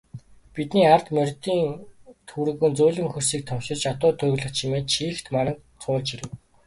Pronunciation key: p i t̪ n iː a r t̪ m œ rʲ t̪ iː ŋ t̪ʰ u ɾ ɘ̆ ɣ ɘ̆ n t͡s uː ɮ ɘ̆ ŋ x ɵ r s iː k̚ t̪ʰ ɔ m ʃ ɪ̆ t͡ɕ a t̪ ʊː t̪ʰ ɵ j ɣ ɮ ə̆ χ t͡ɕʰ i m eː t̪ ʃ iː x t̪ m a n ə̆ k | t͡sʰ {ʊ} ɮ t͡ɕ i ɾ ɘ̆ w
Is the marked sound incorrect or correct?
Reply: incorrect